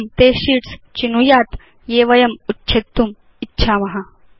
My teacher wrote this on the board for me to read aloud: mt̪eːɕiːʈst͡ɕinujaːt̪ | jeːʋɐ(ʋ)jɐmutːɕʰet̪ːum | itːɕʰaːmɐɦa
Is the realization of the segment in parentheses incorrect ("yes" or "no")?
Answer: yes